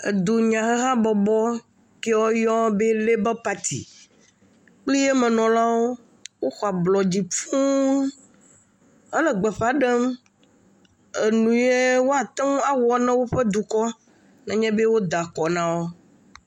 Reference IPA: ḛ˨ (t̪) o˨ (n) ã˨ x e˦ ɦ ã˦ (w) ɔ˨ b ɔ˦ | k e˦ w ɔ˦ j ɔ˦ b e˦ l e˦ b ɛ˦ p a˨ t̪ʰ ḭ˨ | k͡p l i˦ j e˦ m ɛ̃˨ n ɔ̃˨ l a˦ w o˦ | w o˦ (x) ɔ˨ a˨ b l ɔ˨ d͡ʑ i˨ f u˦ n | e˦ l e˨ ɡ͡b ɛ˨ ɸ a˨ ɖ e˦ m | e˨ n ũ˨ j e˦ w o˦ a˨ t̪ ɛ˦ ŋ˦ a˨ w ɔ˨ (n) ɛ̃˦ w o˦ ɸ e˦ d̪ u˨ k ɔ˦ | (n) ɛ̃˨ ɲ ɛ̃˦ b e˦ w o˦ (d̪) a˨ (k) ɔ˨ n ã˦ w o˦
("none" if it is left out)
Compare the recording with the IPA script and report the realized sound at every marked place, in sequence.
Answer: d̪, ɲ, b, x, n, n, d̪, k

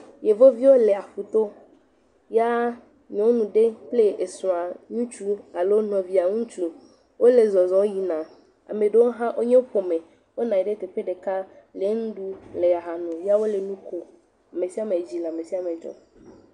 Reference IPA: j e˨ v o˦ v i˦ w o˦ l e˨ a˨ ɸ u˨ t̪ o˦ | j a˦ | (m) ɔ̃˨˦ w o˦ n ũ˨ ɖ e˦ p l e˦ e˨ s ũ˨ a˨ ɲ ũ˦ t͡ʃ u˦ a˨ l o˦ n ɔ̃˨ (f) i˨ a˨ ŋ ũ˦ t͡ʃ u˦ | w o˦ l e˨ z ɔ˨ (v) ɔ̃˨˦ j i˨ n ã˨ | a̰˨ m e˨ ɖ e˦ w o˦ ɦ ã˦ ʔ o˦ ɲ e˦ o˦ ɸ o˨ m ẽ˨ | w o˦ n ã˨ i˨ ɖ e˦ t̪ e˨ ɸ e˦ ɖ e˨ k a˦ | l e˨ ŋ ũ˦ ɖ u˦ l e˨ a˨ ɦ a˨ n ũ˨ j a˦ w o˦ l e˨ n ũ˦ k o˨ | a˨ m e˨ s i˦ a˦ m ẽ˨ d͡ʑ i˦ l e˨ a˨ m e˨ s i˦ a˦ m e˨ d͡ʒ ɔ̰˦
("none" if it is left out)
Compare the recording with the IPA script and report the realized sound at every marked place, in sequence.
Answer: ɲ, v, z

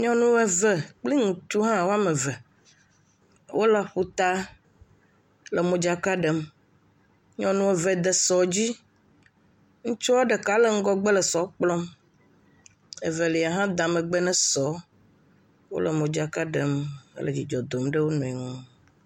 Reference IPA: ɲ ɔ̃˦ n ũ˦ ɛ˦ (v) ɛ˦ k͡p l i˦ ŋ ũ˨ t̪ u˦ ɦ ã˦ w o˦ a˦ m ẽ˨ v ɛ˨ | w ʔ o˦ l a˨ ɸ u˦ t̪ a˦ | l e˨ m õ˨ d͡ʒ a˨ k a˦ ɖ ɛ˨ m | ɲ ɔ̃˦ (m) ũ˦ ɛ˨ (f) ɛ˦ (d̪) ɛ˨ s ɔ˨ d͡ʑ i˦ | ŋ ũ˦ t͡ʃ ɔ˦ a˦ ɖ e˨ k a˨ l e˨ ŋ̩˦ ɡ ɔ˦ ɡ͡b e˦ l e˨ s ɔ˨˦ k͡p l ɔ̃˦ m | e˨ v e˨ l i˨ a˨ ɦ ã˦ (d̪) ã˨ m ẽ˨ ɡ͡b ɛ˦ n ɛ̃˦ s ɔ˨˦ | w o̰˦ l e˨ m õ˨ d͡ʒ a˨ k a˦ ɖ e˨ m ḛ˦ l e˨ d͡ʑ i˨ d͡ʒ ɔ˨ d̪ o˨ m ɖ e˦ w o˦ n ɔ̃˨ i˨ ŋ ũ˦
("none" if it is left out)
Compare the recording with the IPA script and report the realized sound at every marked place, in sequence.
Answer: v, n, v, d̪, d̪

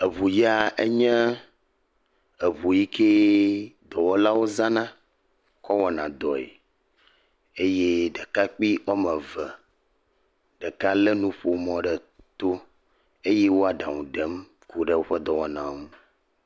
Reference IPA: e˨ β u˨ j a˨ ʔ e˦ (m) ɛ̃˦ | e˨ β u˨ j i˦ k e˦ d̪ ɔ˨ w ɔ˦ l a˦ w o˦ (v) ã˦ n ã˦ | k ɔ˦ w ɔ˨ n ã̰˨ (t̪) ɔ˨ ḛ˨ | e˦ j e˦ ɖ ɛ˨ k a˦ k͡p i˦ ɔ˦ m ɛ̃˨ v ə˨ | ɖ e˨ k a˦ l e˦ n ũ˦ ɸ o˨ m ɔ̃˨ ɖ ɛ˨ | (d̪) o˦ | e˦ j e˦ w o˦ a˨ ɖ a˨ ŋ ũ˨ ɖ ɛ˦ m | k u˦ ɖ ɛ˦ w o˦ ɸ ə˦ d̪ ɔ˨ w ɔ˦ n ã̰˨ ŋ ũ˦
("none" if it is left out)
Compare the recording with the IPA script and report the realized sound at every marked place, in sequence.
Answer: ɲ, z, d̪, t̪

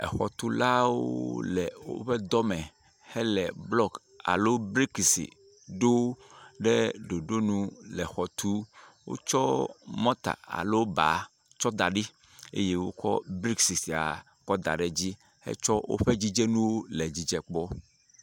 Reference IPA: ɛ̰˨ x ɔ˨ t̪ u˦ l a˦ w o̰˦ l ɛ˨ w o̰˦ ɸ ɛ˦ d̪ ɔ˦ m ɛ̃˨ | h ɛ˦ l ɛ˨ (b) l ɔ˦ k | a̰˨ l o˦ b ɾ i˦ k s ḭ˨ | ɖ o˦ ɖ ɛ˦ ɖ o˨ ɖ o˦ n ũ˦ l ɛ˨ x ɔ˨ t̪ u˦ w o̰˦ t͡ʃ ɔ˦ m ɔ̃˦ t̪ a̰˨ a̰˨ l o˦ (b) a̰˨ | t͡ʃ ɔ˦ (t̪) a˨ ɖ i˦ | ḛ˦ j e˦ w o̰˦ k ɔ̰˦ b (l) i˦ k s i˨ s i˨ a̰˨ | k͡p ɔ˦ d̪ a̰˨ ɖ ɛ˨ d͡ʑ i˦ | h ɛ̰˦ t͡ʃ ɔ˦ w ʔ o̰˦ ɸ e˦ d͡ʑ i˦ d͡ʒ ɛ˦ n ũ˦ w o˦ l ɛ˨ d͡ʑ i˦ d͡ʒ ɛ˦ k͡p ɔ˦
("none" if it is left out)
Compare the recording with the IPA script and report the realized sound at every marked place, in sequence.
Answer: b, b, d̪, ɾ

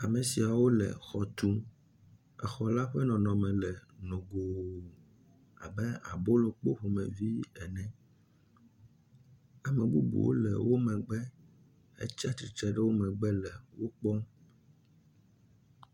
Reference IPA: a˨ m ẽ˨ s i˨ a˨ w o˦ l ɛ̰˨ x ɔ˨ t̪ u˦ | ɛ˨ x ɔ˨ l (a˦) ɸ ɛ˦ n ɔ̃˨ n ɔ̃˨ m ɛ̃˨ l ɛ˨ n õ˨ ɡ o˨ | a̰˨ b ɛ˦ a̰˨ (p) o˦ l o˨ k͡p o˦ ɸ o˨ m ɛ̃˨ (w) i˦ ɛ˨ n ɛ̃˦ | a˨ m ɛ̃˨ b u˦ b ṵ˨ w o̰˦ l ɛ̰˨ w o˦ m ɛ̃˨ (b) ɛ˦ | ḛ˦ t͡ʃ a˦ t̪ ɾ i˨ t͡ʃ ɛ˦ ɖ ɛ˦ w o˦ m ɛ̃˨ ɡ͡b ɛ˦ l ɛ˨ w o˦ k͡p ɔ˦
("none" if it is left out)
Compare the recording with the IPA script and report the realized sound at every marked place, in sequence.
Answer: a˦, b, v, ɡ͡b

